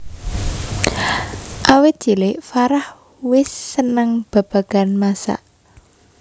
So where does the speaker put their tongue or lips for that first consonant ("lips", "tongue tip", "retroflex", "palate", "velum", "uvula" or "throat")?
throat